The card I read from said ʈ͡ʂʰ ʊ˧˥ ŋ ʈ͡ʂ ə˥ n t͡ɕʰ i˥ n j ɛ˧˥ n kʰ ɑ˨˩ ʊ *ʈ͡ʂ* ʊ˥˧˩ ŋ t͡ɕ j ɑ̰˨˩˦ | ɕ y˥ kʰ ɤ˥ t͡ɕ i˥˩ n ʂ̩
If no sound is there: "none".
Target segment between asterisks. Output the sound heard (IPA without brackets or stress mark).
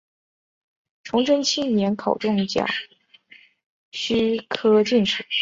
ʈ͡ʂ